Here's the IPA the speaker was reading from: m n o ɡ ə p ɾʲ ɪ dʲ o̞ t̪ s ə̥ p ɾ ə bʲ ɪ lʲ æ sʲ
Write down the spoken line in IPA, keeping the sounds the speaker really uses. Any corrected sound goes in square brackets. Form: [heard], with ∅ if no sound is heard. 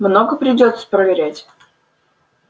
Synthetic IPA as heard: m n o ɡ ə p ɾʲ ɪ dʲ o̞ t̪ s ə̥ p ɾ ə [vʲ] ɪ [ɾʲ] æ [tʲ]